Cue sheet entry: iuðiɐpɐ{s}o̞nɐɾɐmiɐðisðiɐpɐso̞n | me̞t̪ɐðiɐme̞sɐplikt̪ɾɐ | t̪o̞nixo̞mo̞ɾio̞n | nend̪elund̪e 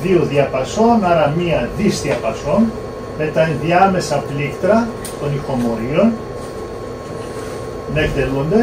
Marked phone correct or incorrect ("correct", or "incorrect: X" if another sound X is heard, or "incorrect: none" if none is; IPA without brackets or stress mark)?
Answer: correct